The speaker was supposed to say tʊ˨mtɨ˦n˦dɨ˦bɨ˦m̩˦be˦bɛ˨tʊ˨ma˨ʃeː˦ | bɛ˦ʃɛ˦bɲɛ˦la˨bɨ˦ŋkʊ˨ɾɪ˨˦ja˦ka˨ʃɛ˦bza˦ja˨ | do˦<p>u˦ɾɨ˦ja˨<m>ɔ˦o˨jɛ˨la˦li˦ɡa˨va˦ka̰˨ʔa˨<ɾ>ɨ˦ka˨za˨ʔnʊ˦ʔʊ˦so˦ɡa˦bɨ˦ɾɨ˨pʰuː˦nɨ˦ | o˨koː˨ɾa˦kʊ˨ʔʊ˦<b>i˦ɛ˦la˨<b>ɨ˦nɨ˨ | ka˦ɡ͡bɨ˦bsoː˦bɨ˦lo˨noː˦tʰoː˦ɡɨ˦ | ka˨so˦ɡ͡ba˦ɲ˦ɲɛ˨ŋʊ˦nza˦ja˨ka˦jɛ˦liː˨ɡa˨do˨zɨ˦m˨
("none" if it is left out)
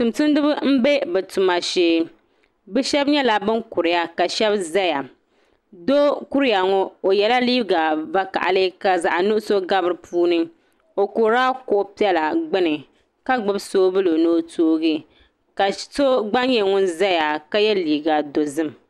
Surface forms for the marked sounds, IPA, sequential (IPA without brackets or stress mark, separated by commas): k, ŋ, l, p, ɡ͡b